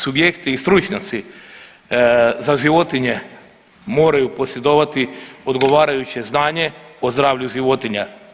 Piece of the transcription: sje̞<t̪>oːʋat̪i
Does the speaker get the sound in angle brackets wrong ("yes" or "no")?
yes